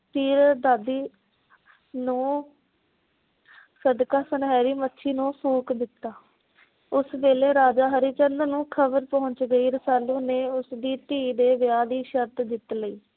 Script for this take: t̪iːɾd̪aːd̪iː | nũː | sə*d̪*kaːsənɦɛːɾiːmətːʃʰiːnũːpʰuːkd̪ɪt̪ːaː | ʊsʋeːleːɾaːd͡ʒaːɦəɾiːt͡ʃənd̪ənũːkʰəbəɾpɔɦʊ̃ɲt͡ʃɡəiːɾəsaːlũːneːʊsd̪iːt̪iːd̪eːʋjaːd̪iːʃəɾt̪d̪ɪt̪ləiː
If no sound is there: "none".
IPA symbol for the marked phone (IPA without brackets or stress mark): d̪